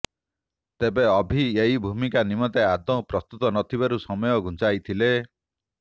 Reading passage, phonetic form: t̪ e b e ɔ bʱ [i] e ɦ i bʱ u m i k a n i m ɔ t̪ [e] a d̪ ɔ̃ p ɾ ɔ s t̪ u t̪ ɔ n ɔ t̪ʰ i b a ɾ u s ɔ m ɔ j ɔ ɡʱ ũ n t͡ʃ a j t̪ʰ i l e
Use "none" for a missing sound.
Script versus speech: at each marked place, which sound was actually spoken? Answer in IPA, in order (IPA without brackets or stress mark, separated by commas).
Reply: i, e